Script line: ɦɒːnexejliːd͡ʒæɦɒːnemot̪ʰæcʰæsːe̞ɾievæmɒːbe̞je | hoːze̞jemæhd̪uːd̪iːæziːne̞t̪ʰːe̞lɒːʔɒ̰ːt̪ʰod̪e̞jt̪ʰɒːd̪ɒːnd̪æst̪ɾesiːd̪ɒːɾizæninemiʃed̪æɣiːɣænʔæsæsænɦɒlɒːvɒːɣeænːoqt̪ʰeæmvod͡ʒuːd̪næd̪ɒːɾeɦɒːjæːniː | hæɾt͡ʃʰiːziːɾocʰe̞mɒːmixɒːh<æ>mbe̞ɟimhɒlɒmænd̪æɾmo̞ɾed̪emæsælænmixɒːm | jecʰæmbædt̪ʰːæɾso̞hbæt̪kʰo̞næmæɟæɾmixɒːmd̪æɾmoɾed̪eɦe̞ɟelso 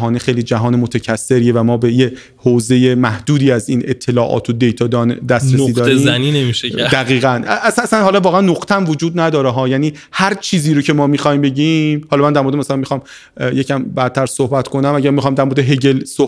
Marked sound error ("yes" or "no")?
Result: yes